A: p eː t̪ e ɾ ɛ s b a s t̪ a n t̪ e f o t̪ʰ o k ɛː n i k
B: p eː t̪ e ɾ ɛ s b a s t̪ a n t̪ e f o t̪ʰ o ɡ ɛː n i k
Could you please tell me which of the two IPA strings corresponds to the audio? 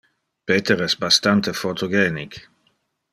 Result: B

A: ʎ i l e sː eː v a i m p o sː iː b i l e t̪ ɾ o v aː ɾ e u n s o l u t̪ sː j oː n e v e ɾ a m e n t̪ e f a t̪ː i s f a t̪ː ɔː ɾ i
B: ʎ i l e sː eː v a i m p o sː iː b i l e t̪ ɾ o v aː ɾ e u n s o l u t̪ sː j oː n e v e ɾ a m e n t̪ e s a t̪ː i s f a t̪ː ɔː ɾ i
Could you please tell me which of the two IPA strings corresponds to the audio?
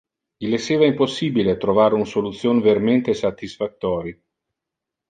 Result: B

